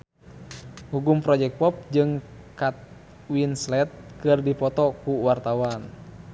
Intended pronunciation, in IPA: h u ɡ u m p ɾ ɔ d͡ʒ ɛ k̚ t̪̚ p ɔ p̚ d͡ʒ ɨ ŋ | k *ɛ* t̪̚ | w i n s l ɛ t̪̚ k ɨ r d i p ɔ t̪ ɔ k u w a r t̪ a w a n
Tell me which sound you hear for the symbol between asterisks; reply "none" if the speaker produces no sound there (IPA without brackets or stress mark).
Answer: a